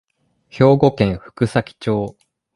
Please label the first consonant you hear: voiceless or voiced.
voiceless